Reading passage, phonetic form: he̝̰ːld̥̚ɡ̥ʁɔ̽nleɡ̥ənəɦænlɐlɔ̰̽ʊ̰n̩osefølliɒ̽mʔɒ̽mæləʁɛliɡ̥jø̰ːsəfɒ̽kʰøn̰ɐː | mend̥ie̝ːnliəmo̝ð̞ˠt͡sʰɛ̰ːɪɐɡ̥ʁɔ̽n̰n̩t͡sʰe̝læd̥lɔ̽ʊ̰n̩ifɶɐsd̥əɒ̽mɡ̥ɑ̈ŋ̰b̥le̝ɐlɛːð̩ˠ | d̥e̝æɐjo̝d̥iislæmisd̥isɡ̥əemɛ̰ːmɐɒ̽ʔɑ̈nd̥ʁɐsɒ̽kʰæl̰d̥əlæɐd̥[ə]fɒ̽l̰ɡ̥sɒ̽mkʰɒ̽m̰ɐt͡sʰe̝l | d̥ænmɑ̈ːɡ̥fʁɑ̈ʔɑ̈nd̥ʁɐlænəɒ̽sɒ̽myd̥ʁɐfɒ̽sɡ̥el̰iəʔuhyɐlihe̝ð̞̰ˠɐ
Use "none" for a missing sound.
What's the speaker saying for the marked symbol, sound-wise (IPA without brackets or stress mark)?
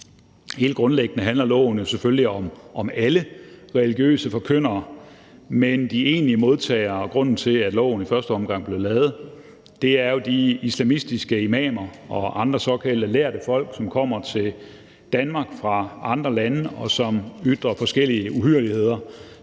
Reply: ə